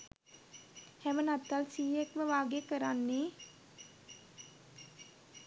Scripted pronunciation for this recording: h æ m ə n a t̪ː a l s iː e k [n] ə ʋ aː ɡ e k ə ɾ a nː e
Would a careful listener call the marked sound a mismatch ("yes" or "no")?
yes